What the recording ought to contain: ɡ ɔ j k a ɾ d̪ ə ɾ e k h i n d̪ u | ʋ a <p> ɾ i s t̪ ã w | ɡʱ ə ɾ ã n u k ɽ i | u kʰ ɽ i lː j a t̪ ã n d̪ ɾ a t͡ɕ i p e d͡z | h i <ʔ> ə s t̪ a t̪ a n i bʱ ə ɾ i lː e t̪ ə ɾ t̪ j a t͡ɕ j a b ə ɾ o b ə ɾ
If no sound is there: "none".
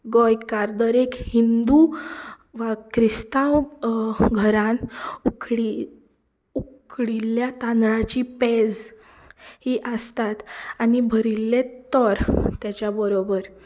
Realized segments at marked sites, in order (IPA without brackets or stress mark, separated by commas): k, ʔ